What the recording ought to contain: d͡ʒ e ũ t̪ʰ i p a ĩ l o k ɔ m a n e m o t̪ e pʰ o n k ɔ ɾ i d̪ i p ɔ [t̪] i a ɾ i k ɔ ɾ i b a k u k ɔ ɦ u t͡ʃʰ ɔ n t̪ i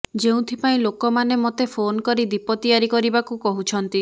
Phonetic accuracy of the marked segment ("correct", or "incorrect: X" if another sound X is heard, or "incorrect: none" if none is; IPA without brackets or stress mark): correct